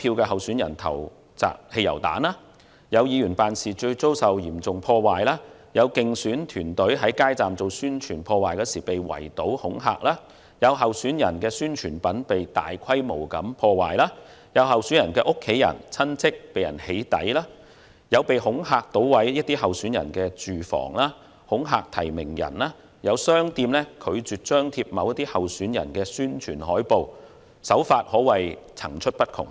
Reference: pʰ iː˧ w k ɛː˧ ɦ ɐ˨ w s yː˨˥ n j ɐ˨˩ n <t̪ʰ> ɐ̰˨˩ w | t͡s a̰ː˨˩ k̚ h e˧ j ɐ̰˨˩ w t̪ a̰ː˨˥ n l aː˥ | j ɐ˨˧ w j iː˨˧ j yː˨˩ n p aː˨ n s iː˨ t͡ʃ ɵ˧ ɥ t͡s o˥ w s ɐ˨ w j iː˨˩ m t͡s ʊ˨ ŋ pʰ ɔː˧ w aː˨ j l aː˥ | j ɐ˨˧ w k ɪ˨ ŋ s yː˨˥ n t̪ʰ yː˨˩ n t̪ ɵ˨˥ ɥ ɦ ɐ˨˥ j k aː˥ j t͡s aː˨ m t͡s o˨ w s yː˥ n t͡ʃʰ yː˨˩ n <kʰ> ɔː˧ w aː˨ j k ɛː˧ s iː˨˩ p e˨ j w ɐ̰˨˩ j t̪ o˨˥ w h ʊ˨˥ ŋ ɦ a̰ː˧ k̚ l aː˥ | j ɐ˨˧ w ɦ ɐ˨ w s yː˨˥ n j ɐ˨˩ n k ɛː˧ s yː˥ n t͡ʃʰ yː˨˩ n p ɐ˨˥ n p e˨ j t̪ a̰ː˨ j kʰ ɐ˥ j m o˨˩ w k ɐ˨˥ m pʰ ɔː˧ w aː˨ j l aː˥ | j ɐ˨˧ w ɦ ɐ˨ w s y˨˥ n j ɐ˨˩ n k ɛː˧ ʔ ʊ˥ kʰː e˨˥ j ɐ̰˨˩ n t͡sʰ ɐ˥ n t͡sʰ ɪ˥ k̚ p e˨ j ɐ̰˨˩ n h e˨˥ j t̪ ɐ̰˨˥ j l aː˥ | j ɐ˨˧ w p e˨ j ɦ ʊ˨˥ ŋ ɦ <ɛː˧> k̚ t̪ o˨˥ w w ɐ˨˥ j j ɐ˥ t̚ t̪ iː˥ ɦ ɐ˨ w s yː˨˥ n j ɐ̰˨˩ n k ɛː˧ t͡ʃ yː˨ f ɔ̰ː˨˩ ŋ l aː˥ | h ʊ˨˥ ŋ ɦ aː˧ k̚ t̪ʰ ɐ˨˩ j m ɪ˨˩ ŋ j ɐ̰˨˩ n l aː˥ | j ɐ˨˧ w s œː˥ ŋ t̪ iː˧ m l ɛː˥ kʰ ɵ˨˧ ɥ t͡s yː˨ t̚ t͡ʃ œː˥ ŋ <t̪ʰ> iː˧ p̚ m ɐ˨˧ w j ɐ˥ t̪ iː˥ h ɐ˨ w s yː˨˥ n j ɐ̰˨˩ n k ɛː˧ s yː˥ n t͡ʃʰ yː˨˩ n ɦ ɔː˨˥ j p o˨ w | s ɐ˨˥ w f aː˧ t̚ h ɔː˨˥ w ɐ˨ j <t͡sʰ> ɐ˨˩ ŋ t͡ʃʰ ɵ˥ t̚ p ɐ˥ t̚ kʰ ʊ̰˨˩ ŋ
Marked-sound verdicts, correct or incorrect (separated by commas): correct, incorrect, incorrect, correct, correct